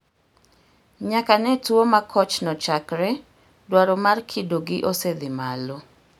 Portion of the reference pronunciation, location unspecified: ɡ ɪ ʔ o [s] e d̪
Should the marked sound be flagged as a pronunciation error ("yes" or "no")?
no